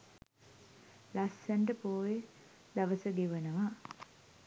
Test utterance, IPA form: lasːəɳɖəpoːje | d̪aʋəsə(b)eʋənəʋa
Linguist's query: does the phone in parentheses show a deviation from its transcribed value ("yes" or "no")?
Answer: yes